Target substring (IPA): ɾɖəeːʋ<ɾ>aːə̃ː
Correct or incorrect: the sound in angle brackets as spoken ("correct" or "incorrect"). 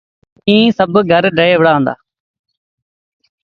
incorrect